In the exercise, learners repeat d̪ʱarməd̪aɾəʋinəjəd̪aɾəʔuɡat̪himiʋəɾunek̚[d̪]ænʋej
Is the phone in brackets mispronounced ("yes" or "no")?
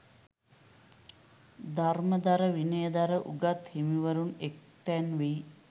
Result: yes